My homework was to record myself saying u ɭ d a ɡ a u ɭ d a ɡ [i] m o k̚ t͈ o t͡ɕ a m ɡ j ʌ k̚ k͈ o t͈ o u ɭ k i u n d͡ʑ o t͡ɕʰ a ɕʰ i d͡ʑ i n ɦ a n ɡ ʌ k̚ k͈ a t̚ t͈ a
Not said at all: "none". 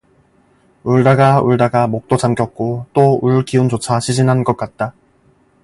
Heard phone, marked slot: a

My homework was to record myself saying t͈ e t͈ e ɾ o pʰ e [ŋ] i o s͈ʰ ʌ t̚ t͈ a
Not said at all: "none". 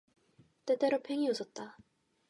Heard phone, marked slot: ŋ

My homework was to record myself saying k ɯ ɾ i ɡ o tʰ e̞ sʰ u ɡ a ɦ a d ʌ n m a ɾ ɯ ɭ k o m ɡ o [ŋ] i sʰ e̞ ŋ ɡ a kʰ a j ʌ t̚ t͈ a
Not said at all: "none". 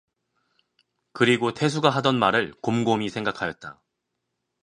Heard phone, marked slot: m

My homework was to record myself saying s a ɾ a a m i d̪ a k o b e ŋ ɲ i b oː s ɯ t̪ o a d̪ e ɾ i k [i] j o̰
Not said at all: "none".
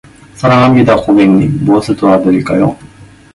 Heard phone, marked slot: a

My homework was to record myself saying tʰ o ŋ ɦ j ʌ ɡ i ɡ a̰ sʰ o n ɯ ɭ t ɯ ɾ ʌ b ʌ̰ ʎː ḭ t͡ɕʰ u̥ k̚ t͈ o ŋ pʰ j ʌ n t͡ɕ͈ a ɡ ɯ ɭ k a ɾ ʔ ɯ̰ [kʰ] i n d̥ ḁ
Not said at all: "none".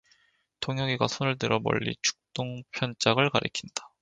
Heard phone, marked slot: kʰ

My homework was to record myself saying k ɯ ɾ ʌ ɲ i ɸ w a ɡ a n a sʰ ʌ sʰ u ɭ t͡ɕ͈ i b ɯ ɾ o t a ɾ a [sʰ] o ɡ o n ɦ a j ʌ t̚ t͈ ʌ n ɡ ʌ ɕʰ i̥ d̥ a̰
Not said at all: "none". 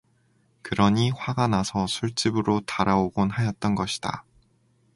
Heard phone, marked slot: none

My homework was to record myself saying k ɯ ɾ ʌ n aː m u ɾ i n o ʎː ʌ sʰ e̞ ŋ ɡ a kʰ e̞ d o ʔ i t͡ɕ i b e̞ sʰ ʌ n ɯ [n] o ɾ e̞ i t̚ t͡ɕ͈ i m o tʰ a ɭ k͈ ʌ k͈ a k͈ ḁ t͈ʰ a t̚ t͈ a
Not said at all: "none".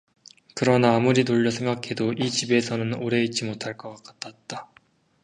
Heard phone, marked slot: n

